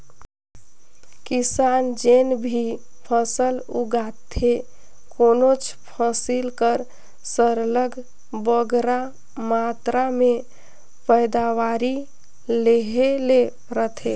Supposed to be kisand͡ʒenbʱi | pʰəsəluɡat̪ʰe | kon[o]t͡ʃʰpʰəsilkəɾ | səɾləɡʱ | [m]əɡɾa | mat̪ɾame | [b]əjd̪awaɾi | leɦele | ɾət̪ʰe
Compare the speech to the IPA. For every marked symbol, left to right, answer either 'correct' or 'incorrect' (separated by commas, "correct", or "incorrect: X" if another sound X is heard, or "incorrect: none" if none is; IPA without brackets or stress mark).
correct, incorrect: b, incorrect: p